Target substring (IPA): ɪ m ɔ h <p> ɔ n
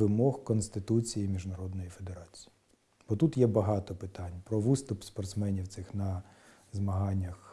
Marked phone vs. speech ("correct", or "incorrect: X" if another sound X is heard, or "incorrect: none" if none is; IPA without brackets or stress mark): incorrect: k